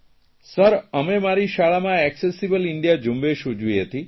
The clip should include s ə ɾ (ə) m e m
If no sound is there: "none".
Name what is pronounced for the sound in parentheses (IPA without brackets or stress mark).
ə